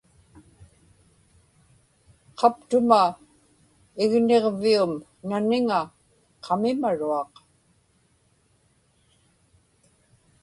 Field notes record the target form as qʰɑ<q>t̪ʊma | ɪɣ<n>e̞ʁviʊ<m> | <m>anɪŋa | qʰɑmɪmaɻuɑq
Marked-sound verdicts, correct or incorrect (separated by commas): incorrect, correct, correct, incorrect